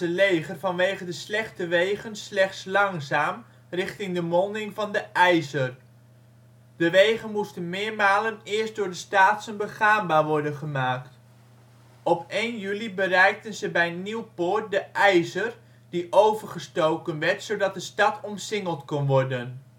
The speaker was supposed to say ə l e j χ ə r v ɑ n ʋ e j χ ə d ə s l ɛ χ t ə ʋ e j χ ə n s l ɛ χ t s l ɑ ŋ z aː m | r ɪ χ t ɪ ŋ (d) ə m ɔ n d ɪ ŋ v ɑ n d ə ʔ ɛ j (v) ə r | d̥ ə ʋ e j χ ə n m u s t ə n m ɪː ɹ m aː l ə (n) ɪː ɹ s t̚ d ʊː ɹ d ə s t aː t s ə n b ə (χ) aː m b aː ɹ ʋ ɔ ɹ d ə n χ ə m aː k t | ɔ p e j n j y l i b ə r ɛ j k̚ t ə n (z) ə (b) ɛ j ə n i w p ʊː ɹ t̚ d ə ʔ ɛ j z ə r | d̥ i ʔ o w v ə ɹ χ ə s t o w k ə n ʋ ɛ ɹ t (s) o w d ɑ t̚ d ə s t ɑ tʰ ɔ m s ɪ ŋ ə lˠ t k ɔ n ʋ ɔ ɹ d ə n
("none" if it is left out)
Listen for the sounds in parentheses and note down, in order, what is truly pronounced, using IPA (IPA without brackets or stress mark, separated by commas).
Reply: d, z, n, χ, z, b, s